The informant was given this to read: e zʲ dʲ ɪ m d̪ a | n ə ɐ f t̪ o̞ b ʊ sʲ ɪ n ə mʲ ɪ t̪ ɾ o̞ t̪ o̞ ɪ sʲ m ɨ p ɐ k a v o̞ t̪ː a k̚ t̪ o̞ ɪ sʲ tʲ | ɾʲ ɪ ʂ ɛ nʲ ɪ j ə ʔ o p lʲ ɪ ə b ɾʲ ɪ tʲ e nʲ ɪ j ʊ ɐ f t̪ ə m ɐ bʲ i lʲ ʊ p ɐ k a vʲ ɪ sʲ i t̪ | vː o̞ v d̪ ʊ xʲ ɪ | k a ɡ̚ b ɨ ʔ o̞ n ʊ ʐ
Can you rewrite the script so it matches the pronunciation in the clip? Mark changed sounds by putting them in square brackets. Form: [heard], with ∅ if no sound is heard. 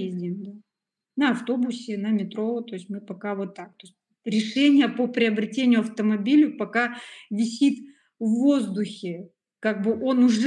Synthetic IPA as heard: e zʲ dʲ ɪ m d̪ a | n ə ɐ f t̪ o̞ b ʊ sʲ ɪ n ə mʲ ɪ t̪ ɾ o̞ t̪ o̞ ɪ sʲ m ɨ p ɐ k a v o̞ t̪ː a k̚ t̪ o̞ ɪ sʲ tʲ | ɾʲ ɪ ʂ ɛ nʲ ɪ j ə [p] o p [ɾʲ] ɪ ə b ɾʲ ɪ tʲ e nʲ ɪ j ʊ ɐ f t̪ ə m ɐ bʲ i lʲ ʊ p ɐ k a vʲ ɪ sʲ i t̪ | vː o̞ [z] d̪ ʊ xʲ ɪ | k a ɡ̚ b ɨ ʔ o̞ n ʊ ʐ

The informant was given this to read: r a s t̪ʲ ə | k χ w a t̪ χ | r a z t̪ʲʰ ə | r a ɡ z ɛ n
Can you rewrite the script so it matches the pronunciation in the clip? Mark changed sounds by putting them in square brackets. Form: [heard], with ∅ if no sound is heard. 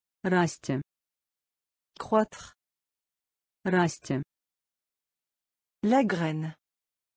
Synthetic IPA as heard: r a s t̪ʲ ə | k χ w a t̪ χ | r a [s] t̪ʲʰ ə | [l] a ɡ [ʁ] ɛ n

